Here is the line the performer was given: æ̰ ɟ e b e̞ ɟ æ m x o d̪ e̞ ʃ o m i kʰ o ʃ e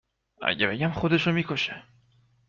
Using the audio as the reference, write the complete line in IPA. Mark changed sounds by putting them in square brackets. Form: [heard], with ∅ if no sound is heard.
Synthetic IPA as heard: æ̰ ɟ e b e̞ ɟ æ m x o d̪ e̞ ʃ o m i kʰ o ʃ e